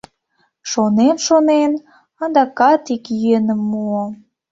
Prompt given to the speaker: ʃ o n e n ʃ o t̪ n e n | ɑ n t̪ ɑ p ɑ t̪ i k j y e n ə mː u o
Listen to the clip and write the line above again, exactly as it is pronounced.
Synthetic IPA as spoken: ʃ o n e n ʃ o n e n | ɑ n d̪ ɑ k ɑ t̪ i k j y e n ə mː u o